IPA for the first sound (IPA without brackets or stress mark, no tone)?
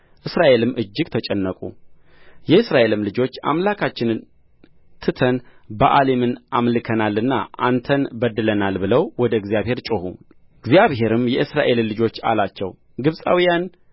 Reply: ʔ